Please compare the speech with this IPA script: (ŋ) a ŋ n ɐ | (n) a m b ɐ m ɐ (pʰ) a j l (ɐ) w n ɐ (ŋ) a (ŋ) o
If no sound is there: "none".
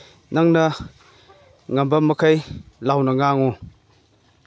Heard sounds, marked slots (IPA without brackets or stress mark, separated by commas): n, ŋ, kʰ, a, ŋ, ŋ